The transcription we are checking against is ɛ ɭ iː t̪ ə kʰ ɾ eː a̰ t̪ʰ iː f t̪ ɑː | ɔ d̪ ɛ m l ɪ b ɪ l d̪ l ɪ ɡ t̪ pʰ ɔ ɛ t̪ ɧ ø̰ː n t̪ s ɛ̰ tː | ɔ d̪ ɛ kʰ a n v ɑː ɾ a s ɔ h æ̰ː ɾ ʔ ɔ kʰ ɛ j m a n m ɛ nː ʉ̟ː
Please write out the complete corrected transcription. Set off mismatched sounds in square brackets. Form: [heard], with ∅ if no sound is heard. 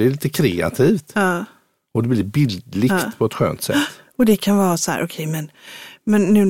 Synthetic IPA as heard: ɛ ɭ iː t̪ ə kʰ ɾ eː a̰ t̪ʰ iː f t̪ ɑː | ɔ d̪ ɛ [b] l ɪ b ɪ l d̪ l ɪ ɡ t̪ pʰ ɔ ɛ t̪ ɧ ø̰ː n t̪ s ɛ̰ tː | ɔ d̪ ɛ kʰ a n v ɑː ɾ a s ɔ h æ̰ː ɾ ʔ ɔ kʰ ɛ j m [ɛ] n m ɛ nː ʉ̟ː